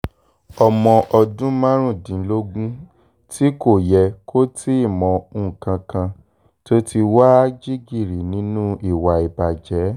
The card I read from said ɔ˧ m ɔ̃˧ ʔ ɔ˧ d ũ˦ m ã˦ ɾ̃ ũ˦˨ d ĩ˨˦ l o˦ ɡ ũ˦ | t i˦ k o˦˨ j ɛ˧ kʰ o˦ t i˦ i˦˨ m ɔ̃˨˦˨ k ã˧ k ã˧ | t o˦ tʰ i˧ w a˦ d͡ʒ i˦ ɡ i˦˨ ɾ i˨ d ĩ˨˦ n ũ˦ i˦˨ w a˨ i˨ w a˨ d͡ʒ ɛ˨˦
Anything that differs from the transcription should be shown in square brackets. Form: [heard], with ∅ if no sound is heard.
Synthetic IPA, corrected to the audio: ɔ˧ m ɔ̃˧ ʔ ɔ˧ d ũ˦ m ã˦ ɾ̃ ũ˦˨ d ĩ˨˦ l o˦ ɡ ũ˦ | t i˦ k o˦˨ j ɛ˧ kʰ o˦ t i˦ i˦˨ m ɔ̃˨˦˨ k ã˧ k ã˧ | t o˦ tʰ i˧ w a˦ d͡ʒ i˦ ɡ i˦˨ ɾ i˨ [n] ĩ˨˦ n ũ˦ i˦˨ w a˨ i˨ [b] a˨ d͡ʒ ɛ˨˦

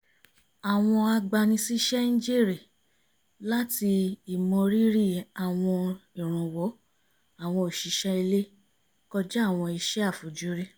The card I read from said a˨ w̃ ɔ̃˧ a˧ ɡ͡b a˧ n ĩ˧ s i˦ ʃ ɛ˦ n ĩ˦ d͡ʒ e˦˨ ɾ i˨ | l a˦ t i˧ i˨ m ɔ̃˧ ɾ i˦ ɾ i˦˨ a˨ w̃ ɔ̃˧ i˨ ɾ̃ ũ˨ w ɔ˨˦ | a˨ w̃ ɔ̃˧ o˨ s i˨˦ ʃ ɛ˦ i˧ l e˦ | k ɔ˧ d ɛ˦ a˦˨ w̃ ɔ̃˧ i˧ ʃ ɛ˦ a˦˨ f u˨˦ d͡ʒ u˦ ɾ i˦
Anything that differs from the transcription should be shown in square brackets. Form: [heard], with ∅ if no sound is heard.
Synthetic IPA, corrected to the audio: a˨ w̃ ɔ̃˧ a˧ ɡ͡b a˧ n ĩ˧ s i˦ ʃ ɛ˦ n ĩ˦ d͡ʒ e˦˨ ɾ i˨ | l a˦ t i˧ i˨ m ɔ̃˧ ɾ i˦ ɾ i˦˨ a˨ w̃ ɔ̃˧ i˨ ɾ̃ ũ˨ w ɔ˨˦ | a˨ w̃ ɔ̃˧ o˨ [ʃ] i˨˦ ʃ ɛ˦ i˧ l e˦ | k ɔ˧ [d͡ʒ] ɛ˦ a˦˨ w̃ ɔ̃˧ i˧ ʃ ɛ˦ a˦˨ f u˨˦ d͡ʒ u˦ ɾ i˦

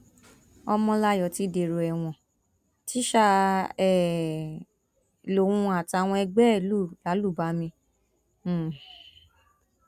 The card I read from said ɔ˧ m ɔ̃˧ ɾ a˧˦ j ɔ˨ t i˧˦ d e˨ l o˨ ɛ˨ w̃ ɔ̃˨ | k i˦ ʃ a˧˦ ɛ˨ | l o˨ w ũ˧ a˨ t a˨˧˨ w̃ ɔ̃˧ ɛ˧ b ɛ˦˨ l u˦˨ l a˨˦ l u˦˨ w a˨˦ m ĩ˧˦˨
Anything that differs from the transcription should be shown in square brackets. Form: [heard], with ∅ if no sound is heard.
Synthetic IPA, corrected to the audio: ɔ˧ m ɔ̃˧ [l] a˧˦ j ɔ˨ t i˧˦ d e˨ [ɾ] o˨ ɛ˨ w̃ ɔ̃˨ | [t] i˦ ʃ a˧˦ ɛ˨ | l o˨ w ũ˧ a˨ t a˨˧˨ w̃ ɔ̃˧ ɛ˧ [ɡ͡b] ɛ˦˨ l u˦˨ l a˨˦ l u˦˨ [b] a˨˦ m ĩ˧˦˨

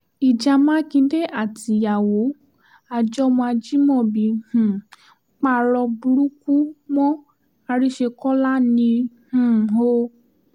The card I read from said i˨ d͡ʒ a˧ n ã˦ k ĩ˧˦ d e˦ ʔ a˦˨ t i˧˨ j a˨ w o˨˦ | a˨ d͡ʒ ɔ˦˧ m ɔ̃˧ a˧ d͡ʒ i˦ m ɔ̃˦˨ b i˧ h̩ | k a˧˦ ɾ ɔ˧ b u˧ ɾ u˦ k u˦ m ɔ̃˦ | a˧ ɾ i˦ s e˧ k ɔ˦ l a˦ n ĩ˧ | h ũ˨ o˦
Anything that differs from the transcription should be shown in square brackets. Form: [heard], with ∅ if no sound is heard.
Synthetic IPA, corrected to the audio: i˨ d͡ʒ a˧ [m] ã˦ k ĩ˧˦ d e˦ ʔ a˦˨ t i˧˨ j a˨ w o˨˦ | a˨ d͡ʒ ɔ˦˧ m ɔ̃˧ a˧ d͡ʒ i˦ m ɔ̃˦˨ b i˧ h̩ | [k͡p] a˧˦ ɾ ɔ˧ b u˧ ɾ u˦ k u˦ m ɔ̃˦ | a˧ ɾ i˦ [ʃ] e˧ k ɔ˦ l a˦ n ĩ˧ | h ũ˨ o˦

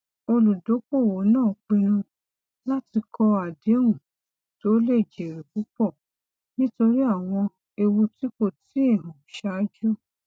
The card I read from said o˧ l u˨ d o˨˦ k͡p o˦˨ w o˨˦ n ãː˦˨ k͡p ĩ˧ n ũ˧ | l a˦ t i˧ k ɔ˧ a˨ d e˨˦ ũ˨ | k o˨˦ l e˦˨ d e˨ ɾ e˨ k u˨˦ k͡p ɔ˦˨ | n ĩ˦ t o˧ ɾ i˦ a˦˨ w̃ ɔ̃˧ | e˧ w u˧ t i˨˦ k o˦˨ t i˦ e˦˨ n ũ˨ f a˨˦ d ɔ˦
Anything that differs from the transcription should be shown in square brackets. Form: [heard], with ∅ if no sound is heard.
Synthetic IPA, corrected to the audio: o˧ l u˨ d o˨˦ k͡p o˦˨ w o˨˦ n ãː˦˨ k͡p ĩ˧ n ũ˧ | l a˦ t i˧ k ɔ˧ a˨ d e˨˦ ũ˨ | [t] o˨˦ l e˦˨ [d͡ʒ] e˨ ɾ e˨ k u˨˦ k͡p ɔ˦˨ | n ĩ˦ t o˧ ɾ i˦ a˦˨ w̃ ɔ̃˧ | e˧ w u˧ t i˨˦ k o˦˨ t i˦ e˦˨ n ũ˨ [ʃ] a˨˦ [d͡ʒ] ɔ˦

